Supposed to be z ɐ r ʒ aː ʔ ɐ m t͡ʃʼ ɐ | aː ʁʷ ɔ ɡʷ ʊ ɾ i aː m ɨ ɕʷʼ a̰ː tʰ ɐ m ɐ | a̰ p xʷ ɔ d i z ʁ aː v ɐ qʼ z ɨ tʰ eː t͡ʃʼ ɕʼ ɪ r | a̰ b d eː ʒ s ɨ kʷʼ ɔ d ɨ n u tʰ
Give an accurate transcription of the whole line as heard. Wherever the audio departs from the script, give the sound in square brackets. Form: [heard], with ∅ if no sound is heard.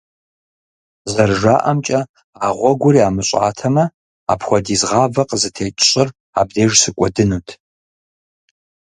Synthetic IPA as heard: z ɐ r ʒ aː ʔ ɐ m t͡ʃʼ ɐ | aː ʁʷ ɔ ɡʷ ʊ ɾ i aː m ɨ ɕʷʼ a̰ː tʰ ɐ m ɐ | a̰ p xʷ ɔ d i z ʁ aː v ɐ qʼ z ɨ tʰ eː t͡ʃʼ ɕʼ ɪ r | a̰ b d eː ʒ s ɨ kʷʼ ɔ d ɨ n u tʰ